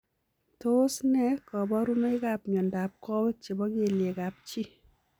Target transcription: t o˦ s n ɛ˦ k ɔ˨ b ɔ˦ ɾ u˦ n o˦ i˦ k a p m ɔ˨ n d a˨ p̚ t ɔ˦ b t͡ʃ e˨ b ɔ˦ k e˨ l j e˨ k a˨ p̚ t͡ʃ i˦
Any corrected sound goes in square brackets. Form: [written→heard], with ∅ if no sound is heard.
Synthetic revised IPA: t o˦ s n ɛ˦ k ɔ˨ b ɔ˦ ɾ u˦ n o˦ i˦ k a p [m→ɲ] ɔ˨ n d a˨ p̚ [t→k] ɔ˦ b t͡ʃ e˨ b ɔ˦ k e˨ l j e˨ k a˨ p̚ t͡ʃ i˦